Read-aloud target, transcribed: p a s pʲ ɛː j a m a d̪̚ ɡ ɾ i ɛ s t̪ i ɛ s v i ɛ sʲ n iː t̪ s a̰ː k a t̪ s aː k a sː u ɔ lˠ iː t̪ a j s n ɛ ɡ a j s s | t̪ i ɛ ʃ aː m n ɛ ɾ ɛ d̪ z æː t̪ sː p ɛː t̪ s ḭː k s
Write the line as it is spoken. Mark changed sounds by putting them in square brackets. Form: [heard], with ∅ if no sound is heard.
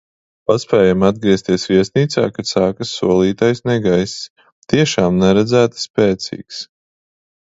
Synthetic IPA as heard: p a s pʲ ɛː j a m a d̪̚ ɡ ɾ i ɛ s t̪ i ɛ s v i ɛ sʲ n iː t̪ s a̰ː k a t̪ s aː k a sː u ɔ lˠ iː t̪ a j s n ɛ ɡ a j s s | t̪ i ɛ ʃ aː m n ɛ ɾ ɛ d̪ z æː t̪ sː p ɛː t̪ s ḭː k s